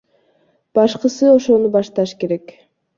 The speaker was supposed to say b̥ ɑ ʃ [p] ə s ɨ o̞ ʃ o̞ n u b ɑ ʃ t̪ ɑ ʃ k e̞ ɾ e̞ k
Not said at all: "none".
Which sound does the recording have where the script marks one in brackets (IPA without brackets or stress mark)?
q